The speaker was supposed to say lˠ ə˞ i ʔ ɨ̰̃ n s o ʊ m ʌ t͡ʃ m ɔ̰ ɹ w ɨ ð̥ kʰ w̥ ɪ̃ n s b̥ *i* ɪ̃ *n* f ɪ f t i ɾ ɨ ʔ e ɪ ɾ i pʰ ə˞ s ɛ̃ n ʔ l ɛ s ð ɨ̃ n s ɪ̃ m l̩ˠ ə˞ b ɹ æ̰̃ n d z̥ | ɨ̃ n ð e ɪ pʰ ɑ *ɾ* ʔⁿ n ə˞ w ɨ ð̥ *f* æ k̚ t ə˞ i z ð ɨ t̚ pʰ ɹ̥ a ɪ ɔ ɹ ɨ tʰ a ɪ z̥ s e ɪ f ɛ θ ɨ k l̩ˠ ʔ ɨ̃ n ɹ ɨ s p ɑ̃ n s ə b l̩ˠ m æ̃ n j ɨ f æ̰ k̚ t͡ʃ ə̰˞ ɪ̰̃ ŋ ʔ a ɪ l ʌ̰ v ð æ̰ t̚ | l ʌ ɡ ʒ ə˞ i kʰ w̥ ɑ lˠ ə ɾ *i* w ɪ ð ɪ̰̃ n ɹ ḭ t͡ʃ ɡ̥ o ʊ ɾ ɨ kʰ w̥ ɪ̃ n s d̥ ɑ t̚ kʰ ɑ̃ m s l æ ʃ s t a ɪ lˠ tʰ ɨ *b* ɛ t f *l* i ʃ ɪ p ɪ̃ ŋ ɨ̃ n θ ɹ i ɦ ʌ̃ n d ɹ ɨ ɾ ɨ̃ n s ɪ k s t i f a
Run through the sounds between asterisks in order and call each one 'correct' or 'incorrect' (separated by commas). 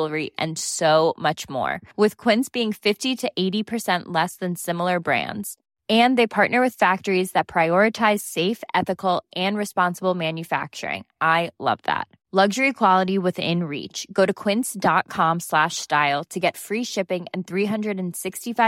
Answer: correct, incorrect, incorrect, correct, correct, incorrect, incorrect